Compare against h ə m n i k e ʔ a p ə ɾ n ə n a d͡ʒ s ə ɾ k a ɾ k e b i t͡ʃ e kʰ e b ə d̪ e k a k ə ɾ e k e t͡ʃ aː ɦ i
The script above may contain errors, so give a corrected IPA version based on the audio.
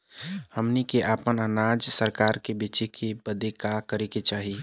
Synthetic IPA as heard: h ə m n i k e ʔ a p ə n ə n a d͡ʒ s ə ɾ k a ɾ k e b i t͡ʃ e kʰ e b ə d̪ e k a k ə ɾ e k e t͡ʃ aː ɦ i

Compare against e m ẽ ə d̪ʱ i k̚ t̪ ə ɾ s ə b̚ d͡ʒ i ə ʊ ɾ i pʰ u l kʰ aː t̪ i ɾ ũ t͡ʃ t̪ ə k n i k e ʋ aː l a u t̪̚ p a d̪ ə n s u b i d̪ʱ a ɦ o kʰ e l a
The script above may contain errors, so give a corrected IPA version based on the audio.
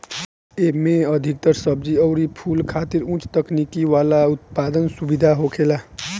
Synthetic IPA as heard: e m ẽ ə d̪ʱ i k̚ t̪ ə ɾ s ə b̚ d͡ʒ i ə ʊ ɾ i pʰ u l kʰ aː t̪ i ɾ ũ t͡ʃ t̪ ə k n i k i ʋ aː l a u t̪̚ p a d̪ ə n s u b i d̪ʱ a ɦ o kʰ e l a

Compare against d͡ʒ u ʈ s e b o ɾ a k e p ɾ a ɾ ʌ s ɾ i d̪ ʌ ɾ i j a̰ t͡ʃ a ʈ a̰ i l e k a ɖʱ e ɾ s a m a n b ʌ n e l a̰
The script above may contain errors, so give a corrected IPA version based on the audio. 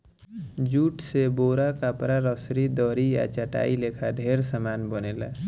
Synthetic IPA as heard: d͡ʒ u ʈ s e b o ɾ a k a p ɾ a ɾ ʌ s ɾ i d̪ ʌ ɾ i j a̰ t͡ʃ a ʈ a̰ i l e kʰ a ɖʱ e ɾ s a m a n b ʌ n e l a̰

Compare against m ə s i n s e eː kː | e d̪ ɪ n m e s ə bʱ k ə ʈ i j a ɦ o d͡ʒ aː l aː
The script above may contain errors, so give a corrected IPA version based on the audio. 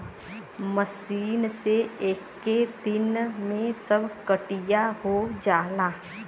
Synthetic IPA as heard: m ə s iː n s e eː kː | e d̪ ɪ n m ẽ s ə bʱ k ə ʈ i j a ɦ o d͡ʒ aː l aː

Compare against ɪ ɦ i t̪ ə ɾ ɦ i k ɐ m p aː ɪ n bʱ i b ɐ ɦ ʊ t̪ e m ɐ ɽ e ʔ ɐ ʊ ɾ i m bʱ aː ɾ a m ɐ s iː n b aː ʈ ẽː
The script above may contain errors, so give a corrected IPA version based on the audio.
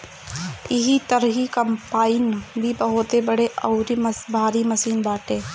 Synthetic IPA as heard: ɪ ɦ i t̪ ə ɾ ɦ i k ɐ m p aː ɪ n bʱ i b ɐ ɦ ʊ t̪ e b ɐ ɽ e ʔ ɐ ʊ ɾ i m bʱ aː ɾ i m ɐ s iː n b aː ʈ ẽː

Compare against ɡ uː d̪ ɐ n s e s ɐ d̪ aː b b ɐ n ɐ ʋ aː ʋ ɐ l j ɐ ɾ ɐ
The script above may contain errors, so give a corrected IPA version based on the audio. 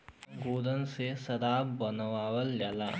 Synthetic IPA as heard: ɡ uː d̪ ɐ n s e s ɐ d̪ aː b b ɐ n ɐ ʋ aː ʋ ɐ l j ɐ l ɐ

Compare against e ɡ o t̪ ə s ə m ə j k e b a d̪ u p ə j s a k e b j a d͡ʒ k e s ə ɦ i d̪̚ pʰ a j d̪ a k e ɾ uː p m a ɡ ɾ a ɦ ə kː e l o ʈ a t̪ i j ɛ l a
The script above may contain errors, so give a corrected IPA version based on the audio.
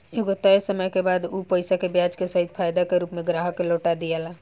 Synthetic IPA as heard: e ɡ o t̪ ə s ə m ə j k e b a d̪ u p ə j s a k e b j a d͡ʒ k e s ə ɦ i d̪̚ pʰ a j d̪ a k e ɾ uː p m e ɡ ɾ a ɦ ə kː e l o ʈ a d̪ i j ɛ l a

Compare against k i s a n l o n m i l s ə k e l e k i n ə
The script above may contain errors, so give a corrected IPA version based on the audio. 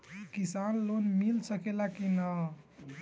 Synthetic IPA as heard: k i s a n l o n m i l s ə k e l a k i n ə

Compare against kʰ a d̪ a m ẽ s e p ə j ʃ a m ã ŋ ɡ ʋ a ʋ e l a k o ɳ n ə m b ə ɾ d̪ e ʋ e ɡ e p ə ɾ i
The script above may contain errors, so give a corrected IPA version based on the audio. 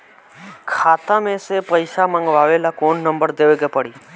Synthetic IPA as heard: kʰ a t̪ a m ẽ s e p ə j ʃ a m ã ŋ ɡ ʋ a ʋ e l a k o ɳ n ə m b ə ɾ d̪ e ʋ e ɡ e p ə ɽ i

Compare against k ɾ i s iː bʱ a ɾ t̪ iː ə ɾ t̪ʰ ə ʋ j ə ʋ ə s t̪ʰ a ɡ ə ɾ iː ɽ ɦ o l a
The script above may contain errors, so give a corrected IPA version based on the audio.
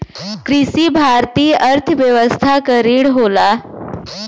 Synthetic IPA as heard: k ɾ i s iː bʱ a ɾ t̪ iː ə ɾ t̪ʰ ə ʋ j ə ʋ ə s t̪ʰ a k ə ɾ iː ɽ ɦ o l a

